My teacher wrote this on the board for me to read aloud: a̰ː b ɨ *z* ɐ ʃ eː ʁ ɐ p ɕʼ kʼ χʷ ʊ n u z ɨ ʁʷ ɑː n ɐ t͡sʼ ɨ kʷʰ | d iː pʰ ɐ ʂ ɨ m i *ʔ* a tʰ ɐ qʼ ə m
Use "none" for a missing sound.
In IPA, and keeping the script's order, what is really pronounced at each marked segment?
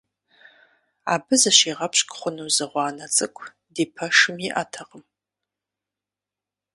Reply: z, ʔ

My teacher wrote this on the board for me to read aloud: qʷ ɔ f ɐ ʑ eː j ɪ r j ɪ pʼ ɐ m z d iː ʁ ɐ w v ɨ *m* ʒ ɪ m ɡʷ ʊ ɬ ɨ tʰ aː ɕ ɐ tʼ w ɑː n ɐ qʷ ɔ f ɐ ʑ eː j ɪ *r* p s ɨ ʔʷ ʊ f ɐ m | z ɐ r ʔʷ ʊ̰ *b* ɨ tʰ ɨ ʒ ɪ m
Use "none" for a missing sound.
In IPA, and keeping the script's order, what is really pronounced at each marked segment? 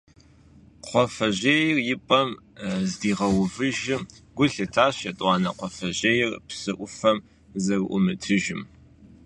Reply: none, r, m

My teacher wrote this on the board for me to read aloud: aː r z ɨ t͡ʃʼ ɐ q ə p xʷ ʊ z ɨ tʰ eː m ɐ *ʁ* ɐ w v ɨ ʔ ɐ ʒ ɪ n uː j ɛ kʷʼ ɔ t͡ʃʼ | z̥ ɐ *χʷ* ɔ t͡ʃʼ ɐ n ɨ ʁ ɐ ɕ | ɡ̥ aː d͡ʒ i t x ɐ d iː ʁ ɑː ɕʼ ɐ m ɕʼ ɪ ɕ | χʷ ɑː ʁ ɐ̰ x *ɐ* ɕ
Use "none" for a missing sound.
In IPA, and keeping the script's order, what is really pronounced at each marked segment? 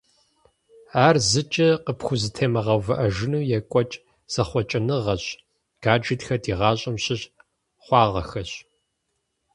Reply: ʁ, χʷ, ɐ

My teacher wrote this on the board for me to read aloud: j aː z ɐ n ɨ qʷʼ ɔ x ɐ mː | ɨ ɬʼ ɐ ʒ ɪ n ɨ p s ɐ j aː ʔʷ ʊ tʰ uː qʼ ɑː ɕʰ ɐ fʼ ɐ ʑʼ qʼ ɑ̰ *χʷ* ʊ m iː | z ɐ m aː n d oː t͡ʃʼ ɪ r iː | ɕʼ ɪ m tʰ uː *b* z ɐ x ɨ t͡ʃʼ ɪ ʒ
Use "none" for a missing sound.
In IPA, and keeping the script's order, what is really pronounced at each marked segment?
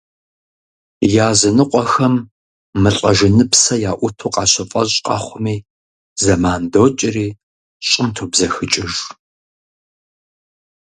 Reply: χʷ, b

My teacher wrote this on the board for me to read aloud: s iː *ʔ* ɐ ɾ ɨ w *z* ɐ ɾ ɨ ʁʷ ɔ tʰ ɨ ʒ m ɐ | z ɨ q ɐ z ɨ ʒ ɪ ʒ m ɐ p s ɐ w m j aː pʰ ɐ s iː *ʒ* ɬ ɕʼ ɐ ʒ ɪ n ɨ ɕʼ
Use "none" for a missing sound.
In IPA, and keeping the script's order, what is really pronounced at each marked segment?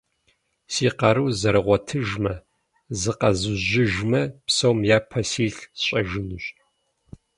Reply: q, z, none

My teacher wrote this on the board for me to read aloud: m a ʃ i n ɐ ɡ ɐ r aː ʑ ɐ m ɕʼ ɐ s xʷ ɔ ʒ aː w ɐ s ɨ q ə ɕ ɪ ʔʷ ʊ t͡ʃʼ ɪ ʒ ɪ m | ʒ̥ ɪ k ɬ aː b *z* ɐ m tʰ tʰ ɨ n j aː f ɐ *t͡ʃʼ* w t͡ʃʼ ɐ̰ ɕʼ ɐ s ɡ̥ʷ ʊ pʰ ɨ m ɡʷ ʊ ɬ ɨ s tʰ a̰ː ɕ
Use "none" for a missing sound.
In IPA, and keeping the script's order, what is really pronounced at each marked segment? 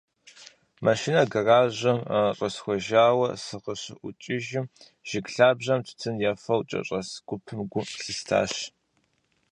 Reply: ʑ, none

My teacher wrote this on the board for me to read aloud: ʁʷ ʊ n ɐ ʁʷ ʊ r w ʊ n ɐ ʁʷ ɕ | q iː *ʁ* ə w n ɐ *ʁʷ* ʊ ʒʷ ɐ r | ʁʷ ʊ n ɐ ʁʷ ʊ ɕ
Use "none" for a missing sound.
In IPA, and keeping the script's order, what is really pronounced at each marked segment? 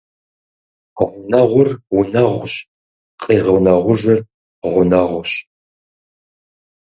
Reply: ʁ, ʁʷ

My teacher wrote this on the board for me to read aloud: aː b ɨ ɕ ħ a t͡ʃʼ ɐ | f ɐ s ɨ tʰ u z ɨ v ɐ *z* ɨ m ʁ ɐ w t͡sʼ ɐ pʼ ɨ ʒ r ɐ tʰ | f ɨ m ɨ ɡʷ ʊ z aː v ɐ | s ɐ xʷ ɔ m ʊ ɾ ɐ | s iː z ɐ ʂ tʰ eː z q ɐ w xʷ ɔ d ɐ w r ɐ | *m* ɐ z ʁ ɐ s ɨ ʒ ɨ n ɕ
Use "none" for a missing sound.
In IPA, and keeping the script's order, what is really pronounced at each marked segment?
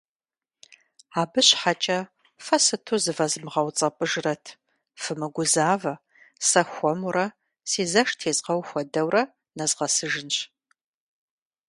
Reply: z, n

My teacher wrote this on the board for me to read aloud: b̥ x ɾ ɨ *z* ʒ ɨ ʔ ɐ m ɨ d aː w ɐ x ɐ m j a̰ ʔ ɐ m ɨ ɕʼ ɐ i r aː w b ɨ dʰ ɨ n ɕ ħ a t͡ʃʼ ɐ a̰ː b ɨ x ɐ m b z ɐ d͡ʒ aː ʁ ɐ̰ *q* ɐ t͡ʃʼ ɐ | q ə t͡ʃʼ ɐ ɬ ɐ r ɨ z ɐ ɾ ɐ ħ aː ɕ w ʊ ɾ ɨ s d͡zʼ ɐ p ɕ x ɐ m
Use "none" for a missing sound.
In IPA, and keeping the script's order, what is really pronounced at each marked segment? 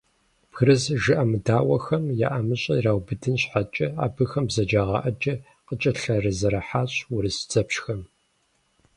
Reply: z, ʔ

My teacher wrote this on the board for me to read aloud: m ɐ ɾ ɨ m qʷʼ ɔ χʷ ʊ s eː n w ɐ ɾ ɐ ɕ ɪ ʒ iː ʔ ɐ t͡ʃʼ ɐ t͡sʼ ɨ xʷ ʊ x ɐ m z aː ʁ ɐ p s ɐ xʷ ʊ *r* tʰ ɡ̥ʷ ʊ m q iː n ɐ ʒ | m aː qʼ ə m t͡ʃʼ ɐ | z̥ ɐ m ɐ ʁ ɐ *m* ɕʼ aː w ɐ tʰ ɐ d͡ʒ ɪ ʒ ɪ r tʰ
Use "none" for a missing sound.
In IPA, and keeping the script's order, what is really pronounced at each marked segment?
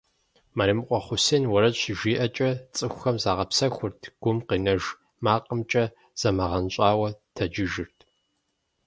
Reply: r, n

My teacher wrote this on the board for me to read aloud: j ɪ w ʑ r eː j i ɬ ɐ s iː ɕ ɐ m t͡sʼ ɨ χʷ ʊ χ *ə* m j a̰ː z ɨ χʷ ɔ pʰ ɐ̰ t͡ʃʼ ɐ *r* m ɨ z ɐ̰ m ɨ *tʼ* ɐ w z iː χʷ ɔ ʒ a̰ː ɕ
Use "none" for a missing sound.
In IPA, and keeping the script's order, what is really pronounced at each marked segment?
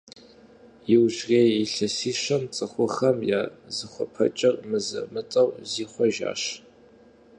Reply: ɐ, r, tʼ

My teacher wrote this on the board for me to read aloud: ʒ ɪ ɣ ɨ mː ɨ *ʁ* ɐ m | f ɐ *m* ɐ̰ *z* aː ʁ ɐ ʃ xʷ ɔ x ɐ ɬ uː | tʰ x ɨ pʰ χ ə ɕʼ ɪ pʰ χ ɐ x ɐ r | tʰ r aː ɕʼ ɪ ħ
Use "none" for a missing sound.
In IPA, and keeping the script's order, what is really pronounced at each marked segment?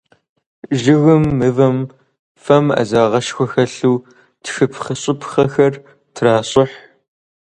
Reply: v, m, z

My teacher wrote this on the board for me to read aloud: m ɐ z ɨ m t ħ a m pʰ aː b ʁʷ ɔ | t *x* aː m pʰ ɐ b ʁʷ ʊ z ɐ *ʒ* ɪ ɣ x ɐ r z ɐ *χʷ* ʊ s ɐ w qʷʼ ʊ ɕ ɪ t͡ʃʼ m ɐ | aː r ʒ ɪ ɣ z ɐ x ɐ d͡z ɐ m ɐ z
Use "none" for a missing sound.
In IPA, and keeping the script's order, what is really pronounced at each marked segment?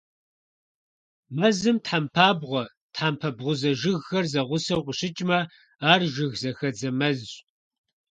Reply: ħ, ʒ, ʁʷ

